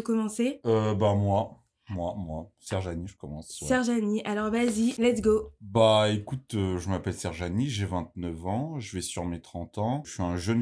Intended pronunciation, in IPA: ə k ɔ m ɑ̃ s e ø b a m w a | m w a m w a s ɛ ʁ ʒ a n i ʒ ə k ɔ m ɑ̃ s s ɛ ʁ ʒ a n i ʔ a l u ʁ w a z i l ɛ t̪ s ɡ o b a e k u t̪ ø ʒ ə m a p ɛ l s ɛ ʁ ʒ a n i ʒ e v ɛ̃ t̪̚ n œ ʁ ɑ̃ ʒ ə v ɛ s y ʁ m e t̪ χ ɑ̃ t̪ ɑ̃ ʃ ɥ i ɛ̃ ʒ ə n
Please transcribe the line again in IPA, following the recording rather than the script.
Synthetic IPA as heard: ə k ɔ m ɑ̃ s e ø b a m w a | m w a m w a s ɛ ʁ ʒ a n i ʒ ə k ɔ m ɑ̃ s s ɛ ʁ ʒ a n i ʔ a l ɔ ʁ v a z i l ɛ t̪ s ɡ o b a e k u t̪ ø ʒ ə m a p ɛ l s ɛ ʁ ʒ a n i ʒ e v ɛ̃ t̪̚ n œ v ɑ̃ ʒ ə v ɛ s y ʁ m e t̪ χ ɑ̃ t̪ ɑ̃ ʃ ɥ i ɛ̃ ʒ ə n